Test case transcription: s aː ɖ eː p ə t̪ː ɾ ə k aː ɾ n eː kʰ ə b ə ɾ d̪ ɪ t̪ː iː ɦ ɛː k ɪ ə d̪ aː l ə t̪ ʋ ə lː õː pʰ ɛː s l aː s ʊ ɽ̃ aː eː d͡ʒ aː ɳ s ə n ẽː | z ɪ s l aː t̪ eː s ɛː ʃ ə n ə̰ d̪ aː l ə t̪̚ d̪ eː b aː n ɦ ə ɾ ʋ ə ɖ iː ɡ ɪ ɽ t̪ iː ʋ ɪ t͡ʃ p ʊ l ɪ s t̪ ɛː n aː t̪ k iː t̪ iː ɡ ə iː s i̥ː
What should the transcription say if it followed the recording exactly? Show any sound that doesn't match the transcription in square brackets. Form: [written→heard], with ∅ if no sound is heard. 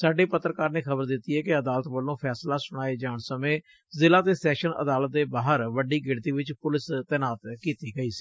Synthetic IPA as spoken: s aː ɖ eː p ə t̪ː ɾ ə k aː ɾ n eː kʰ ə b ə ɾ d̪ ɪ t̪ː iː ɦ ɛː k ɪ ə d̪ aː l ə t̪ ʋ ə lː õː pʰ ɛː s l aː s ʊ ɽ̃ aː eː d͡ʒ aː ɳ s ə [n→m] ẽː | z ɪ [s→∅] l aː t̪ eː s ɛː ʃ ə n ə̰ d̪ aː l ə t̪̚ d̪ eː b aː [n→∅] ɦ ə ɾ ʋ ə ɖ iː ɡ ɪ ɽ t̪ iː ʋ ɪ t͡ʃ p ʊ l ɪ s t̪ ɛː n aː t̪ k iː t̪ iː ɡ ə iː s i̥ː